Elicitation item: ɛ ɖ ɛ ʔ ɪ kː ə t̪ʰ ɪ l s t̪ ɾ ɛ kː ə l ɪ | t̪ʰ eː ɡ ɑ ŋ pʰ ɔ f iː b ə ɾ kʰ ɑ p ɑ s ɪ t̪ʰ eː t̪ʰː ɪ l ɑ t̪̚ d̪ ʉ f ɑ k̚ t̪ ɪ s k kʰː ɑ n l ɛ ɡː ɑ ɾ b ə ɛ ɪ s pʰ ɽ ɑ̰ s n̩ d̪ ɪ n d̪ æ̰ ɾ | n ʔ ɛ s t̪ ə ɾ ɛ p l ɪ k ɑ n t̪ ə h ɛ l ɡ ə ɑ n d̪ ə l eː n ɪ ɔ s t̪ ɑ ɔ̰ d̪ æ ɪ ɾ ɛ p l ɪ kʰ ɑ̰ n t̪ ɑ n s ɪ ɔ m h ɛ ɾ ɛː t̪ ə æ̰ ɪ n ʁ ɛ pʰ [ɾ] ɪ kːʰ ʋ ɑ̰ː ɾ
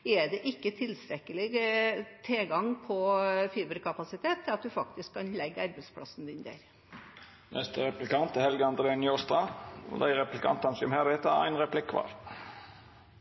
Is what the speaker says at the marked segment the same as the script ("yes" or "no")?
no